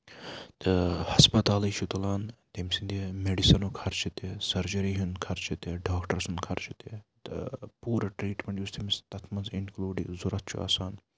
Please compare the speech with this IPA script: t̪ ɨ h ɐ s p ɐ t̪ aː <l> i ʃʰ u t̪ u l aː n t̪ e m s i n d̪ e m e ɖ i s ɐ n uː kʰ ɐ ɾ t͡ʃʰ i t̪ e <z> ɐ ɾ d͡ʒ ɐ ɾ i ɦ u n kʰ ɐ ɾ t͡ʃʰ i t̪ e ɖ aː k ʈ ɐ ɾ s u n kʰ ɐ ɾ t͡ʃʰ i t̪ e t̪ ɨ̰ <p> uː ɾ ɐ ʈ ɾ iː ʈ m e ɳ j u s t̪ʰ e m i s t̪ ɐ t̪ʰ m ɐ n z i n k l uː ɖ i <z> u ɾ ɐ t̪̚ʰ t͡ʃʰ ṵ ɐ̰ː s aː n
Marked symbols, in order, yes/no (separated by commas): yes, no, yes, yes